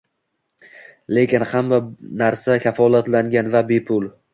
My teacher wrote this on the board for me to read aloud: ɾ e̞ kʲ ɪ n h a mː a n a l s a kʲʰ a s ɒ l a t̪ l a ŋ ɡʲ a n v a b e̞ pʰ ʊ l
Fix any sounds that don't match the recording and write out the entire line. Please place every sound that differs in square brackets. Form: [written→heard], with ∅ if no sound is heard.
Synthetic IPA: [ɾ→l] e̞ kʲ ɪ n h a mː a n a [l→ɾ] s a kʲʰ a [s→f] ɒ l a t̪ l a ŋ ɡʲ a n v a b e̞ pʰ ʊ l